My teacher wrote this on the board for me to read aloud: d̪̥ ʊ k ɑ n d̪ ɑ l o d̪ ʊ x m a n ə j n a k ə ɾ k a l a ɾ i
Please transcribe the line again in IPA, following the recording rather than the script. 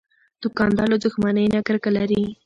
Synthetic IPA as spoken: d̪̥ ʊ k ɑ n d̪ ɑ l o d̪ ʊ x m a n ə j n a k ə ɾ k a l a ɾ i